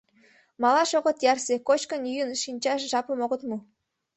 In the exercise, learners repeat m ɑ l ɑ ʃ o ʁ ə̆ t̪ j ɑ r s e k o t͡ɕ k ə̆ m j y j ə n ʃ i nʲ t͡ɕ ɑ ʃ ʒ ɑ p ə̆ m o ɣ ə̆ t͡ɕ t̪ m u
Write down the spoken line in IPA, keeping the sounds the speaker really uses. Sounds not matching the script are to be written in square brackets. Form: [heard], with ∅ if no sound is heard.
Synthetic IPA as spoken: m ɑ l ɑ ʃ o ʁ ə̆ t̪ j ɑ r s e k o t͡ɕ k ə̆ [n] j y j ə n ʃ i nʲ t͡ɕ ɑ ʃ ʒ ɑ p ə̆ m o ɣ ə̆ [∅] t̪ m u